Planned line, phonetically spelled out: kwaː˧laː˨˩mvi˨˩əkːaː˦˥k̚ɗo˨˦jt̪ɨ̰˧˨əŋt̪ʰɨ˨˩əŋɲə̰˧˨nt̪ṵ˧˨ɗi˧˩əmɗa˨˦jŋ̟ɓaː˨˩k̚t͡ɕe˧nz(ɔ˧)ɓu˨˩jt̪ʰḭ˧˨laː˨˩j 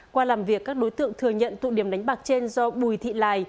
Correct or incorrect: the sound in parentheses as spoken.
correct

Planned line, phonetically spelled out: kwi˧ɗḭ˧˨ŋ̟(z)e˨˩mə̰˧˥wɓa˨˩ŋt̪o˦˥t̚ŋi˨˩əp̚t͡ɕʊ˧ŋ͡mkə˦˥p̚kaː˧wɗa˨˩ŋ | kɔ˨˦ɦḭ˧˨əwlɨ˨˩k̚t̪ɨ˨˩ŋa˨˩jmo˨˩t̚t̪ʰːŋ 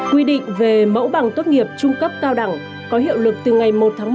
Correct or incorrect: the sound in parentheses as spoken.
incorrect: v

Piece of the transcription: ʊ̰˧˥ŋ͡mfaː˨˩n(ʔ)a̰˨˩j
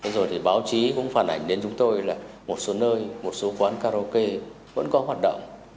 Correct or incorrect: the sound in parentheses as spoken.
correct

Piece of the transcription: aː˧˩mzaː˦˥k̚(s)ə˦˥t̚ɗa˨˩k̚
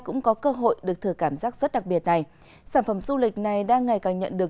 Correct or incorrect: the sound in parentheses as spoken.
incorrect: z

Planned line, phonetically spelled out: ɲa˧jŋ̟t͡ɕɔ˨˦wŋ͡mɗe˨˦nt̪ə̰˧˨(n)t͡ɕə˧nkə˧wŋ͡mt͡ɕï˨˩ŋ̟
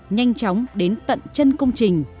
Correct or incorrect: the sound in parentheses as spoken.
correct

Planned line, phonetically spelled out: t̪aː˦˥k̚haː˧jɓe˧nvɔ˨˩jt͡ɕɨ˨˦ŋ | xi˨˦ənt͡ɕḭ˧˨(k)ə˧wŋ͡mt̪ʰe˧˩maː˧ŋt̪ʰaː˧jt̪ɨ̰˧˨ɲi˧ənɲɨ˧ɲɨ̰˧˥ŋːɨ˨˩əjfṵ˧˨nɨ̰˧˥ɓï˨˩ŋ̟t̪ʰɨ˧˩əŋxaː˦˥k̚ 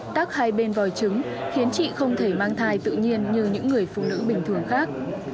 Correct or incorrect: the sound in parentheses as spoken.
incorrect: x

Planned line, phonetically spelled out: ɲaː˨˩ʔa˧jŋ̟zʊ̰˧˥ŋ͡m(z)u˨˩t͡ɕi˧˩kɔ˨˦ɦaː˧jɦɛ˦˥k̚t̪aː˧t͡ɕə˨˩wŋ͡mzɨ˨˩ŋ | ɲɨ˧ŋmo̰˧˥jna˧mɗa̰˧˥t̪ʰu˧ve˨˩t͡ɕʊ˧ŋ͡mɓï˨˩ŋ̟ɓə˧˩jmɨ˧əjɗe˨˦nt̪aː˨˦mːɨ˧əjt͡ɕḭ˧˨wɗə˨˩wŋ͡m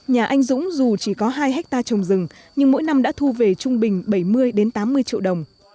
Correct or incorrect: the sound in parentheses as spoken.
correct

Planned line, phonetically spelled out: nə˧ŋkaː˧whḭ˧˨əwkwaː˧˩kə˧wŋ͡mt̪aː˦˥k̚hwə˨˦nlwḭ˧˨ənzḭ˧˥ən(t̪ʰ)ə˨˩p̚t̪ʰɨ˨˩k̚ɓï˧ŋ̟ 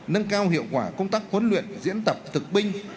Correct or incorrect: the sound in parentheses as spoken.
incorrect: t̪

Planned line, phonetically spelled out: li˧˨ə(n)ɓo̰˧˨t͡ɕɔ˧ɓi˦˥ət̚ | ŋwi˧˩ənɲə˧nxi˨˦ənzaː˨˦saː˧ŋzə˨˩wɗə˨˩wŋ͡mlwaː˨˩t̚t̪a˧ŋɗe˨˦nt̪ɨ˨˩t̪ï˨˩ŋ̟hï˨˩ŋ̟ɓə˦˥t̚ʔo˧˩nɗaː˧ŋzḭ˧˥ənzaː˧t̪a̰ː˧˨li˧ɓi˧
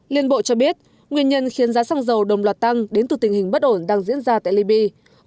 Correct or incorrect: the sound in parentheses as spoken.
correct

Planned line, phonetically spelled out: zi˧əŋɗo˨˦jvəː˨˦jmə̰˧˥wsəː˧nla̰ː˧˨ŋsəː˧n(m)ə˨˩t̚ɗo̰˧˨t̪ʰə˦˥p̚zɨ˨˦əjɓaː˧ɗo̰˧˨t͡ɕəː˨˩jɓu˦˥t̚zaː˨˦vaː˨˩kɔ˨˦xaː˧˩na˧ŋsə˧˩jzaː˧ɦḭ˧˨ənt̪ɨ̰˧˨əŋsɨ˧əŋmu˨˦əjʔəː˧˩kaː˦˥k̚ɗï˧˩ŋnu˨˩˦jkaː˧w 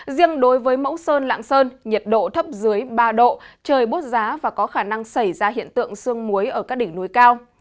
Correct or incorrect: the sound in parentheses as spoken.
incorrect: ɲ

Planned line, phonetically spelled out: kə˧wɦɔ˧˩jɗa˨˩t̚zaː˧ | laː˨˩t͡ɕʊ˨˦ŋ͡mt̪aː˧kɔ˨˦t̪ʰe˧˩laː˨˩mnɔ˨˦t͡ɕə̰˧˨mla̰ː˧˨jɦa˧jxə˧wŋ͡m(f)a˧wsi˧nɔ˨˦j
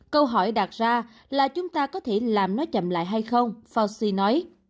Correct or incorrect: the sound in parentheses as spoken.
correct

